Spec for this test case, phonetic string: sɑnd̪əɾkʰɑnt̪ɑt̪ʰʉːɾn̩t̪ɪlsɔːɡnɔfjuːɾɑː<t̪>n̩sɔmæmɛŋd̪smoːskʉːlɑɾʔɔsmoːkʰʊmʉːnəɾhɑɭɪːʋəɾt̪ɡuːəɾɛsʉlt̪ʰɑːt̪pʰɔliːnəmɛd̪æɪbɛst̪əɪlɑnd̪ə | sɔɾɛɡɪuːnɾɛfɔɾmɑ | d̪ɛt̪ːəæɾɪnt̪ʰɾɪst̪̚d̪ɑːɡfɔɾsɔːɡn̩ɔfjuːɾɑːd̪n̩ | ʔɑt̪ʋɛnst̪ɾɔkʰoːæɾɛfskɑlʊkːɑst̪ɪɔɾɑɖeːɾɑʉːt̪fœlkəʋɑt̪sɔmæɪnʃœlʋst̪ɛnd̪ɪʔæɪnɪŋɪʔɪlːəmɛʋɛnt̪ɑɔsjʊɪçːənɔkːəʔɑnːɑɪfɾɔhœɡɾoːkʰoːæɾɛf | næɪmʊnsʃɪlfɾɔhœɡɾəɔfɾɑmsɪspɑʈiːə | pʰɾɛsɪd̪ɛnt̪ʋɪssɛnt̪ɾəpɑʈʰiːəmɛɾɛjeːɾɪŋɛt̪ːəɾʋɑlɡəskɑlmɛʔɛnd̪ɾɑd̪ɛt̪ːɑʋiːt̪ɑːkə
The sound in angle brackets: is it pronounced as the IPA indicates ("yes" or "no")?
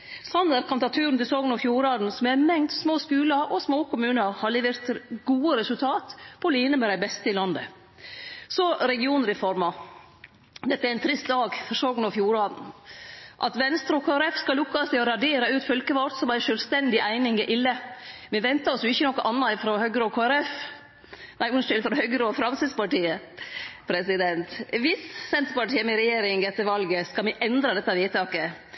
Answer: no